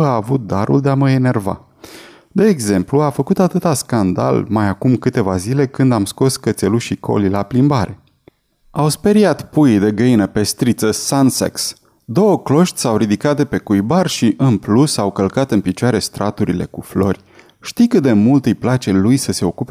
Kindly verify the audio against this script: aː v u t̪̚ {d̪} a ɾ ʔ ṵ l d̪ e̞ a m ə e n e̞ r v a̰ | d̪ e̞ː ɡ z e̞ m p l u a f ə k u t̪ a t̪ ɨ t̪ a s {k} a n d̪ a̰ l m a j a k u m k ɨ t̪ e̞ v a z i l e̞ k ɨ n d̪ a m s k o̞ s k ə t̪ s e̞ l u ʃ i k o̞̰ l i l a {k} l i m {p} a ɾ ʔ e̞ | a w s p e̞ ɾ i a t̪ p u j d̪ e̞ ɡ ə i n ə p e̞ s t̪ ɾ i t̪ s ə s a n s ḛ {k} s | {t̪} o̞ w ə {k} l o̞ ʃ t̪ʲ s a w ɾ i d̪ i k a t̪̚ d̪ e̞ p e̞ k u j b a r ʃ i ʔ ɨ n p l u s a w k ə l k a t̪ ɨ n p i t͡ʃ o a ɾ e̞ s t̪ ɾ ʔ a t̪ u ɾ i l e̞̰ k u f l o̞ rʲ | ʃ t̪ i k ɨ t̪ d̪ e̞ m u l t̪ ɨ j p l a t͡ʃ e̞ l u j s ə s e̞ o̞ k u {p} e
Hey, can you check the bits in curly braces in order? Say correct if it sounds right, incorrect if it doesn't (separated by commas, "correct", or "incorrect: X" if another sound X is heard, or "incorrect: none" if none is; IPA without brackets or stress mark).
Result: correct, correct, incorrect: p, incorrect: b, correct, incorrect: d̪, correct, correct